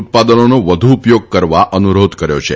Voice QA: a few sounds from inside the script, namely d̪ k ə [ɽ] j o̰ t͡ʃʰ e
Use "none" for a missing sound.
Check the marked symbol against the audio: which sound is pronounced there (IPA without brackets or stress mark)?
ɾ